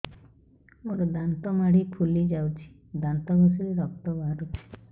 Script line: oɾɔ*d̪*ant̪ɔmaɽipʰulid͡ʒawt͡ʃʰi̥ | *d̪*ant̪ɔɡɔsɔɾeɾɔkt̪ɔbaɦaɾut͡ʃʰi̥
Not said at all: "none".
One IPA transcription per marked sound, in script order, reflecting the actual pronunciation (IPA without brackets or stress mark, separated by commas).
d̪, d̪